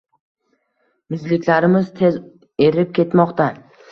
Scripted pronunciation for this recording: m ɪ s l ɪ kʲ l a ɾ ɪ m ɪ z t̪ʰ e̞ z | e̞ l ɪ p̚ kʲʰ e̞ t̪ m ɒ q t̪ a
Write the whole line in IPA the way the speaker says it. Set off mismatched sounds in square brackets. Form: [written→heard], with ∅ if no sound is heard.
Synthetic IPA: m ɪ [s→z] l ɪ kʲ l a ɾ ɪ m ɪ z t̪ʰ e̞ z | e̞ [l→ɾ] ɪ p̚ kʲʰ e̞ t̪ m ɒ q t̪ a